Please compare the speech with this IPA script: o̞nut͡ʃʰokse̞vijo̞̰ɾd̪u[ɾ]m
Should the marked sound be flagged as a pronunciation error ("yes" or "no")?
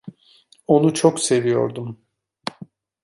yes